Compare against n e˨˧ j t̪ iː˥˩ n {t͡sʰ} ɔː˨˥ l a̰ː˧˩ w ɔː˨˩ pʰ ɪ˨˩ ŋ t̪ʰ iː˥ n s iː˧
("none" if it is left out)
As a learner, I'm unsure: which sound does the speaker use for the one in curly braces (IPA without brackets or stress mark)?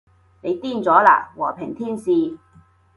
t͡s